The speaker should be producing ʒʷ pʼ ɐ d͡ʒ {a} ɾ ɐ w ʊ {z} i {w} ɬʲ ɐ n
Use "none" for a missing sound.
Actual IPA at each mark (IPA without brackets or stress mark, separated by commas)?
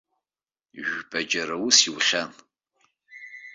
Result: ɐ, s, w